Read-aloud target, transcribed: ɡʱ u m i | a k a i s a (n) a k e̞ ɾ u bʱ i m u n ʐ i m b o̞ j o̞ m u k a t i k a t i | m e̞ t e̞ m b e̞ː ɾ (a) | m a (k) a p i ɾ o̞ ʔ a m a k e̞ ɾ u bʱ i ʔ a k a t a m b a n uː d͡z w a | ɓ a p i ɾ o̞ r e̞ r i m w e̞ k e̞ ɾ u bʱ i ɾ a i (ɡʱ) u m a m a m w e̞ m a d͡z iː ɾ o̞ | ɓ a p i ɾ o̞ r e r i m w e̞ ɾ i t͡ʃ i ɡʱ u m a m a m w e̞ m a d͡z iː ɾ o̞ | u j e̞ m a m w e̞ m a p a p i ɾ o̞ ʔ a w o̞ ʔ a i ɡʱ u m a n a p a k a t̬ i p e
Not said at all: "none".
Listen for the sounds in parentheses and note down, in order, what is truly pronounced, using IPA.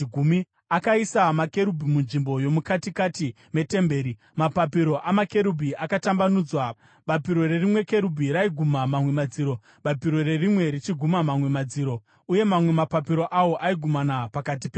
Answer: m, i, p, ɡʱ

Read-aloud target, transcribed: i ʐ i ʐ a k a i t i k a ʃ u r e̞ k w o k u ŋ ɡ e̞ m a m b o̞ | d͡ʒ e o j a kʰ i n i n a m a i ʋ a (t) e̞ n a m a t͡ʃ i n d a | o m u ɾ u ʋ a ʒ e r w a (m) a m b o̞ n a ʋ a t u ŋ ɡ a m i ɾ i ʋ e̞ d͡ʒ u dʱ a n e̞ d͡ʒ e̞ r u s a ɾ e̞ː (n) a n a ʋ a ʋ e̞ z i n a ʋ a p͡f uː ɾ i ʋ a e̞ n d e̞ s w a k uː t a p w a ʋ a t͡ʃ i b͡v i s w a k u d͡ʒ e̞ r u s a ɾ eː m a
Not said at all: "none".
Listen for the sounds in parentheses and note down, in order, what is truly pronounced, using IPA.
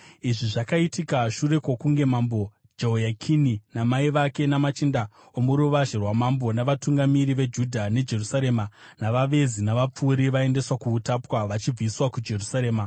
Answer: k, m, m

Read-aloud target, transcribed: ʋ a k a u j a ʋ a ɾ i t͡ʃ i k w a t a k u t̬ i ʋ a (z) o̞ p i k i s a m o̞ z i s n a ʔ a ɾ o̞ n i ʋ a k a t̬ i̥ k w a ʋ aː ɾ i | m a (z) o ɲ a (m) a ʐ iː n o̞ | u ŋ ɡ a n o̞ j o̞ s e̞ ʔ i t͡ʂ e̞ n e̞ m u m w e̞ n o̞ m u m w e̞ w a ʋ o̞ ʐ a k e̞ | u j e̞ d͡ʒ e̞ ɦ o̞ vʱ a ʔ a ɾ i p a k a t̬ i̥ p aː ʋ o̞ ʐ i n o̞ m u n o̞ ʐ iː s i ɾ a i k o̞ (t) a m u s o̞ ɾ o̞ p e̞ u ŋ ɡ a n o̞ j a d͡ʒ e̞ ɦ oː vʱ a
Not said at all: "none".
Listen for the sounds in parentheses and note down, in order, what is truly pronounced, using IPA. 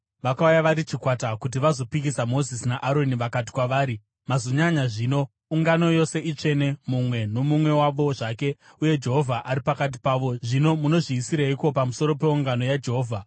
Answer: z, z, ɲ, p

